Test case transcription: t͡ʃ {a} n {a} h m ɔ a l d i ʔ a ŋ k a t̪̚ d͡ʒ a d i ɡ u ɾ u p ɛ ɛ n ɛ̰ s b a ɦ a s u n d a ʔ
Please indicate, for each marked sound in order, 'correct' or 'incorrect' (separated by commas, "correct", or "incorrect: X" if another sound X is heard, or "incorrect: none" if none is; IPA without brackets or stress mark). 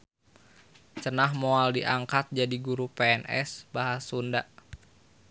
incorrect: ə, correct